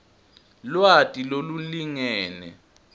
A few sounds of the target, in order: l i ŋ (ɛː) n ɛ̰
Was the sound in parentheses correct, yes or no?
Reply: yes